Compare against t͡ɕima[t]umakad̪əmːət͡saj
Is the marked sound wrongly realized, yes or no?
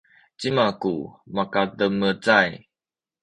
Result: yes